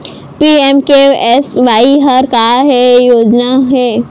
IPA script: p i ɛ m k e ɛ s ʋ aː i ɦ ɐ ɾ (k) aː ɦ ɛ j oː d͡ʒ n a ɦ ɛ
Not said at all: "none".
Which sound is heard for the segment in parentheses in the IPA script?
k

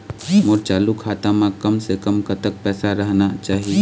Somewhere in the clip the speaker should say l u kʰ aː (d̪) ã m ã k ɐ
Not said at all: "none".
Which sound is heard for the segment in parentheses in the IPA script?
t̪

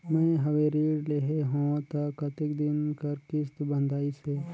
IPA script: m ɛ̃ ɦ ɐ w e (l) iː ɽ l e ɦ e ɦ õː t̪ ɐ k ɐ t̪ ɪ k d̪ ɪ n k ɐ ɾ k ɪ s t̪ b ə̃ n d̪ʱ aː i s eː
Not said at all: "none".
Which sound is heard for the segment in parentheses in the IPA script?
ɾ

